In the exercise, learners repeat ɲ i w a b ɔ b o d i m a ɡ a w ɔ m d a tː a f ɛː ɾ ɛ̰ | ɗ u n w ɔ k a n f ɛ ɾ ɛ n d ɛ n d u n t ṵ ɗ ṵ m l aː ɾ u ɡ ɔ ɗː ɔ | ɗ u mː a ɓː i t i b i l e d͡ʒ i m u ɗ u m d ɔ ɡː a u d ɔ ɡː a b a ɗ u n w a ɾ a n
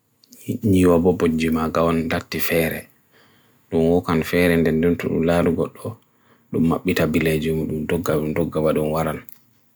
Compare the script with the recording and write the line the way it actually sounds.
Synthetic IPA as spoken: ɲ i w a b ɔ b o d͡ʒ i m a ɡ a w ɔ n d a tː i f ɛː ɾ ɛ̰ | ɗ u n w ɔ k a n f ɛ ɾ ɛ n d ɛ n d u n t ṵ ɗ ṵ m l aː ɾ u ɡ ɔ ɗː ɔ | ɗ u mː a ɓː i t a b i l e d͡ʒ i m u ɗ u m d ɔ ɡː a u d ɔ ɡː a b a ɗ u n w a ɾ a n